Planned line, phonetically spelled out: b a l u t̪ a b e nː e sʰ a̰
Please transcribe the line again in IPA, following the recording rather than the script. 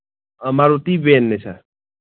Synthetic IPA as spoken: m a ɾ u t̪ i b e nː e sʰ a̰